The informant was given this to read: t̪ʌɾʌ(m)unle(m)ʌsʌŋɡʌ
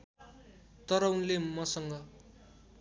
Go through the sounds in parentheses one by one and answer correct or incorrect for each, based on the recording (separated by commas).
incorrect, correct